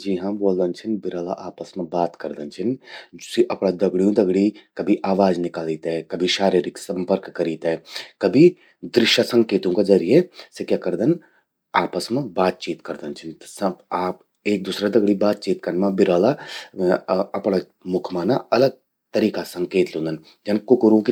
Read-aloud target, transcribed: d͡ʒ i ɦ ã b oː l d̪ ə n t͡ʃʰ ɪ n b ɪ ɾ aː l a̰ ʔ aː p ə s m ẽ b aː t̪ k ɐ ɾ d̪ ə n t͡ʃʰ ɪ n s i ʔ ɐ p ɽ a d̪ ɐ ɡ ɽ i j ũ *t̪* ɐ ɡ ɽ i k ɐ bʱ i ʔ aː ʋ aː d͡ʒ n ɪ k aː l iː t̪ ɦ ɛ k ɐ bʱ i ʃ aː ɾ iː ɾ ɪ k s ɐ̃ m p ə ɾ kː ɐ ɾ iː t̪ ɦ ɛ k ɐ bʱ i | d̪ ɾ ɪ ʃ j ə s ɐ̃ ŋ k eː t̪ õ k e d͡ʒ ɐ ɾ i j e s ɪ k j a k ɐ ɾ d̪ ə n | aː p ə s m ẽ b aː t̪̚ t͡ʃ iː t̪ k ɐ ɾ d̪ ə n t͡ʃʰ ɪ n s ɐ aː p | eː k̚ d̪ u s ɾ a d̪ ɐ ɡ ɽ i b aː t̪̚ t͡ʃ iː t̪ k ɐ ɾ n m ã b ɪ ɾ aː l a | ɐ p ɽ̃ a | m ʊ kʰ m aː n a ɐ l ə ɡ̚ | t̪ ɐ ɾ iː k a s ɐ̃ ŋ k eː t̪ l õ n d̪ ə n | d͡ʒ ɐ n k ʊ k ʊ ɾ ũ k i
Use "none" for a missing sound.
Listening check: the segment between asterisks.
d̪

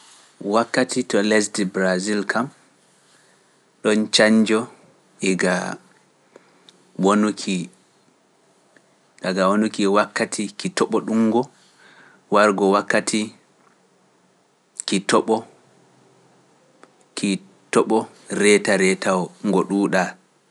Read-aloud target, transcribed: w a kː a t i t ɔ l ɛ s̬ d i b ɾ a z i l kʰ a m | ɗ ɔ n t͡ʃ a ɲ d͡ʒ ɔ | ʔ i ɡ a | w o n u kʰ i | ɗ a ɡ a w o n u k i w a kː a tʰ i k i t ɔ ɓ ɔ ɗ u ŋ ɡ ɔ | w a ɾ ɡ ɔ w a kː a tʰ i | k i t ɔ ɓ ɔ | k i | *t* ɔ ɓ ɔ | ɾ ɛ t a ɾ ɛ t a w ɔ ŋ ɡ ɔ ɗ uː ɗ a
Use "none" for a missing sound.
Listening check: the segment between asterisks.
t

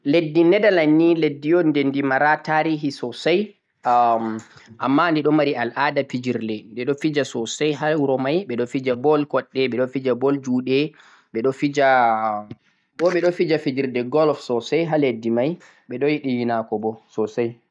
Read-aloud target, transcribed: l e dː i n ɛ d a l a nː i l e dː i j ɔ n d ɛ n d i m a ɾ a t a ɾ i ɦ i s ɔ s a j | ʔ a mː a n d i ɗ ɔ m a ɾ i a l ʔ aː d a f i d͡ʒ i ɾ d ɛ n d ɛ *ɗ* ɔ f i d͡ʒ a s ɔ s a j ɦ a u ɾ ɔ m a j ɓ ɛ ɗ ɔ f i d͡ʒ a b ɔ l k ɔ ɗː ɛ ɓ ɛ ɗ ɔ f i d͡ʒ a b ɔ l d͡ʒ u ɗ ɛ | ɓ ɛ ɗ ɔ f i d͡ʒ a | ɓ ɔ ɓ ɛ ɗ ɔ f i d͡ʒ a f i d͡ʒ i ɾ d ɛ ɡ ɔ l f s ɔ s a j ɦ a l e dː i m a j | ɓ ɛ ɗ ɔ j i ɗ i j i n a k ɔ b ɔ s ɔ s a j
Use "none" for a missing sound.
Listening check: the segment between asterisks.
ɗ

